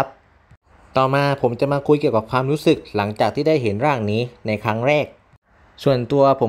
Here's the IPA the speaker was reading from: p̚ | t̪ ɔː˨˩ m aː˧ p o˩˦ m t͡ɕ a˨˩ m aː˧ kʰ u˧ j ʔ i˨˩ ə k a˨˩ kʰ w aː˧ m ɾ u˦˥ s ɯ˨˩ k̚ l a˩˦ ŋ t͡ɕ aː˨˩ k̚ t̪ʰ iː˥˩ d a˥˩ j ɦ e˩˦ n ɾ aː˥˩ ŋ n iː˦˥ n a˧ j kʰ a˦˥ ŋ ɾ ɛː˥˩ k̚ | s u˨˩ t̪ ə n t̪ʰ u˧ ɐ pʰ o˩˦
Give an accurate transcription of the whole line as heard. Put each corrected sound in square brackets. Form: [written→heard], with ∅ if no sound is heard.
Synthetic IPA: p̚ | t̪ ɔː˨˩ m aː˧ [p→pʰ] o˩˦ m t͡ɕ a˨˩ m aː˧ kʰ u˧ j [ʔ→k] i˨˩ ə k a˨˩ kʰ w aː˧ m ɾ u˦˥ s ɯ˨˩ k̚ l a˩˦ ŋ t͡ɕ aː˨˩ k̚ t̪ʰ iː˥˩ d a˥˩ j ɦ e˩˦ n ɾ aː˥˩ ŋ n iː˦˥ n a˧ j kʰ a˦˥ ŋ ɾ ɛː˥˩ k̚ | s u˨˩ [t̪→∅] ə n [t̪ʰ→t̪] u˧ ɐ pʰ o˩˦